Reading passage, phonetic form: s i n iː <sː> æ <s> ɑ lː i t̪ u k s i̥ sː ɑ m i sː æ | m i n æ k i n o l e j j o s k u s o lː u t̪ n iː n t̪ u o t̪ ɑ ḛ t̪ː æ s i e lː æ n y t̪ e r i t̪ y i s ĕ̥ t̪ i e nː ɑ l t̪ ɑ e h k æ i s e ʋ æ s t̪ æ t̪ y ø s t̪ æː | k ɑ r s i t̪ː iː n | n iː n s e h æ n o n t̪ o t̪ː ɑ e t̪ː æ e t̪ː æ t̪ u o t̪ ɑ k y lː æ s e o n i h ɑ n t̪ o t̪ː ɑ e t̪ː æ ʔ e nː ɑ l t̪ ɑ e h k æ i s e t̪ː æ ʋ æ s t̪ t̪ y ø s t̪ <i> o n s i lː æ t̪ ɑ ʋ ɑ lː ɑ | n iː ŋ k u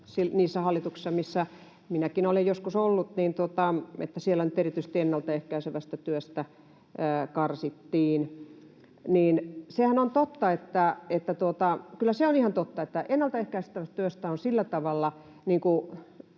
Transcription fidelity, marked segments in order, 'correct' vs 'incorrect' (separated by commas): correct, incorrect, incorrect